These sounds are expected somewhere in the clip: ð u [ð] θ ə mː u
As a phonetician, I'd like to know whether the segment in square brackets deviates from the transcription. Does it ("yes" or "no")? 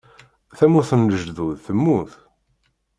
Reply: no